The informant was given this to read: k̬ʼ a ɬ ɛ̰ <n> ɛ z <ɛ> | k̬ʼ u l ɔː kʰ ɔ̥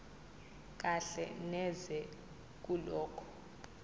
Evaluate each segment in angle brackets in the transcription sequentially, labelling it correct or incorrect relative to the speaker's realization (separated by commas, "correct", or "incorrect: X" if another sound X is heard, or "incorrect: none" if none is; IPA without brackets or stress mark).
correct, correct